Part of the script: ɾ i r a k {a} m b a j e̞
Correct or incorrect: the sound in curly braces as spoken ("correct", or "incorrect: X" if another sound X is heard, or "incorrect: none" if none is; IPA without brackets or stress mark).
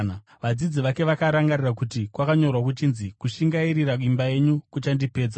incorrect: i